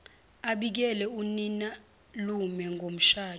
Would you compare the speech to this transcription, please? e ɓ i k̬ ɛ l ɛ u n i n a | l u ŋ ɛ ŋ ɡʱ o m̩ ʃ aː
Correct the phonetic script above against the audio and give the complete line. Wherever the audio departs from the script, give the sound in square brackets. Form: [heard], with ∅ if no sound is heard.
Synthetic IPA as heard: [a] ɓ i k̬ ɛ l ɛ u n i n a | l u [m] ɛ ŋ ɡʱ o m̩ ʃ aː